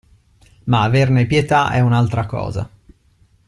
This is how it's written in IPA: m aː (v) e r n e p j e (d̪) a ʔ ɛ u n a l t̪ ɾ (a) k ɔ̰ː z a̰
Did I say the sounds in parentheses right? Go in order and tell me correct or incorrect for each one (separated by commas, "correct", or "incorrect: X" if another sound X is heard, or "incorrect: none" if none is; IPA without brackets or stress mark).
correct, incorrect: t̪, correct